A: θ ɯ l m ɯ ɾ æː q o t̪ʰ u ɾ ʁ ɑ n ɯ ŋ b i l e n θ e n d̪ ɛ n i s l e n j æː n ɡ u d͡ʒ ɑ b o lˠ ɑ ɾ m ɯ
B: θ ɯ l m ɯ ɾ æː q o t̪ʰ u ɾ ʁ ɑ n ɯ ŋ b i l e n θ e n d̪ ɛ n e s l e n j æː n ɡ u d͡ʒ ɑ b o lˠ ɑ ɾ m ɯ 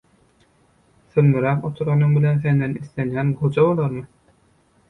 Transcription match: A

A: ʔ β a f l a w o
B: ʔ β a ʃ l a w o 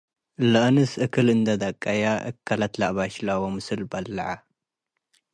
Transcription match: B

